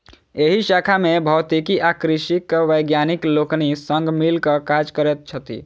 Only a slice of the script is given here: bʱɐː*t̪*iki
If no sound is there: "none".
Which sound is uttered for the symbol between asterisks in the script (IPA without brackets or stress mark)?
t̪